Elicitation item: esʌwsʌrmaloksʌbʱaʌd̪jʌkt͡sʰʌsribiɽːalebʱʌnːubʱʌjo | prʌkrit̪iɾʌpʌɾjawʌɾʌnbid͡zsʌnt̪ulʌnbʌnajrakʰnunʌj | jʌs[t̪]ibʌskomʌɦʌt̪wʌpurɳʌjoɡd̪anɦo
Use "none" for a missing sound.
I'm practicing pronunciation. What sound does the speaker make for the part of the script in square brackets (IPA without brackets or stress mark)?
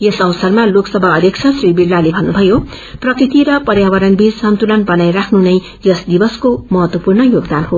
d̪